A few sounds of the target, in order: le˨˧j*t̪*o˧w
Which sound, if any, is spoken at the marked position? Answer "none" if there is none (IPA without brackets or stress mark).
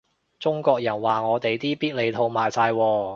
t̪ʰ